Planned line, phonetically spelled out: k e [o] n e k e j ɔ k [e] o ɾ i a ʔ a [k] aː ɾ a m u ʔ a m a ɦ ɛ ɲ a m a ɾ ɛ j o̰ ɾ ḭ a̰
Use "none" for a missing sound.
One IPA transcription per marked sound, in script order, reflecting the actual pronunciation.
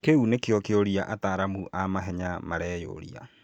u, e, t

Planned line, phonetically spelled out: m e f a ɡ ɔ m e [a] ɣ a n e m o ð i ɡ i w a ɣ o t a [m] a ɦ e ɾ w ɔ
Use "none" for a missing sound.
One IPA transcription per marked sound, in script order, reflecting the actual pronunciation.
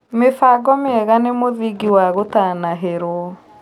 ɛ, n

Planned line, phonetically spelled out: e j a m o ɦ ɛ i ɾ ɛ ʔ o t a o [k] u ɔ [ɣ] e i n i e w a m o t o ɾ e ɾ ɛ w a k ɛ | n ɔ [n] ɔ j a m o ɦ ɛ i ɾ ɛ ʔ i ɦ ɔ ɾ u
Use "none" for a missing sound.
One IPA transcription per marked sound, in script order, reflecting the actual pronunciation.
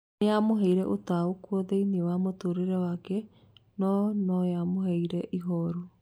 k, ð, n

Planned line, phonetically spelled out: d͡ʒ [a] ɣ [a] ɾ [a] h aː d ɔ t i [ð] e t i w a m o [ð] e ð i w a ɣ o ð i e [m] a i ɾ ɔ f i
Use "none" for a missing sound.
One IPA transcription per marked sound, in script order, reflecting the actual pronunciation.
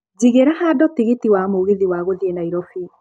i, e, a, ɣ, ɣ, n

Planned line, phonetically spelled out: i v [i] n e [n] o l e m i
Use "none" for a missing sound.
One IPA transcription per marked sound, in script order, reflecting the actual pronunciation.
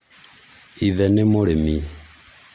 ɛ, m

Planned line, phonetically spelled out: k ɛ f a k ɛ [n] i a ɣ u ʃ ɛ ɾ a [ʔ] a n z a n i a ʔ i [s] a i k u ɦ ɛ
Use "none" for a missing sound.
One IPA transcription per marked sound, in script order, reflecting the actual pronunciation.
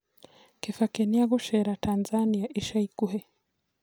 n, t, ʃ

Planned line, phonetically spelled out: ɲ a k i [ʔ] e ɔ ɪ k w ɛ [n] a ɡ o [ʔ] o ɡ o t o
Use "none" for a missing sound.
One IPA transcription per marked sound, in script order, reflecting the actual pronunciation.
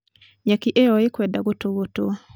ʔ, d, t

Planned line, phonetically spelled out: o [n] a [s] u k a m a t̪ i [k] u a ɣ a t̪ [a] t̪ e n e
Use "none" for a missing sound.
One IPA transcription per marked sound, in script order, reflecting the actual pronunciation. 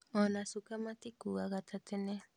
n, s, k, a

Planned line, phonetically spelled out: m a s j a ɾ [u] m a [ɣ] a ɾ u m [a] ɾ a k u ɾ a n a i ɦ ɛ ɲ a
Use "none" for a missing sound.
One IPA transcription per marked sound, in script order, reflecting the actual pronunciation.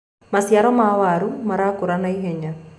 ɔ, w, a

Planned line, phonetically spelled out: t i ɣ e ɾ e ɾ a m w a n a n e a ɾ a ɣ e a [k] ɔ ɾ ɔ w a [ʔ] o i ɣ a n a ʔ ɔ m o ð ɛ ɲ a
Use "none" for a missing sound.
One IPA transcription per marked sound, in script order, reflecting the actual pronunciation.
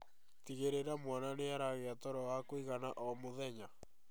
t, k

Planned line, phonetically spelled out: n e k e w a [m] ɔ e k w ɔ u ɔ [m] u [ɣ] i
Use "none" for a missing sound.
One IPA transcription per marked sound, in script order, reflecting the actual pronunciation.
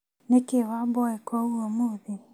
b, m, ð

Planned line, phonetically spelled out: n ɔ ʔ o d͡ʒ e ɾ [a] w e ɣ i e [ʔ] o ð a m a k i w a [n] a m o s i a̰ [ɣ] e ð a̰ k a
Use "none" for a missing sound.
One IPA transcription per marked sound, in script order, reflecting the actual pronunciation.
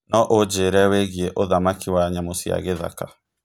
ɛ, ʔ, ɲ, ɣ

